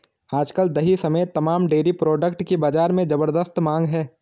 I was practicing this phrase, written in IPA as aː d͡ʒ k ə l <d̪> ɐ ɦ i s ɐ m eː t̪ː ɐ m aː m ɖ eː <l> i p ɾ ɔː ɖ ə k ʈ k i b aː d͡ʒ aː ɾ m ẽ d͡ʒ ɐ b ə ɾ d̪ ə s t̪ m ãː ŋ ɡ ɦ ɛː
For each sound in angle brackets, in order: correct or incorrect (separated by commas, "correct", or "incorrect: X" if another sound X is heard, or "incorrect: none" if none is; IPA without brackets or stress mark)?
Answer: correct, incorrect: ɾ